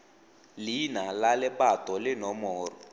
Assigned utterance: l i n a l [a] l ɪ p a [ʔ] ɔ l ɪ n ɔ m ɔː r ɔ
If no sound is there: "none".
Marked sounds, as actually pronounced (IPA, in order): a, t

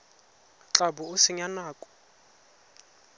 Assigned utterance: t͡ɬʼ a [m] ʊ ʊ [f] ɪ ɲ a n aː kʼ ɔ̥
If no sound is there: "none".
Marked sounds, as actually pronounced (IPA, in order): b, s

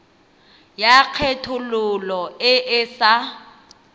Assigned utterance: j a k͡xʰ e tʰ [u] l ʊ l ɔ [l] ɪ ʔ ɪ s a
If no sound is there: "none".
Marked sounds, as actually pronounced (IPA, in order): ʊ, none

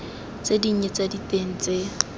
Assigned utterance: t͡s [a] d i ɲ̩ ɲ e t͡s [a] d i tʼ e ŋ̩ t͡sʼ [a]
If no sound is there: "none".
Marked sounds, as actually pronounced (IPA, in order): e, a, e

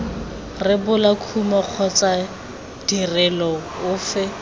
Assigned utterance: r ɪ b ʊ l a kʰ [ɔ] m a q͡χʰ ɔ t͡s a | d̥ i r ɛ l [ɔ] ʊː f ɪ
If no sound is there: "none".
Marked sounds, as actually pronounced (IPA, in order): u, ɔ

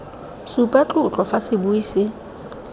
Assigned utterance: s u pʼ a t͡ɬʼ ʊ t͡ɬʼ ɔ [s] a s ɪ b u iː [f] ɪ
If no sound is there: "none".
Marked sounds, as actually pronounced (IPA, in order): f, s

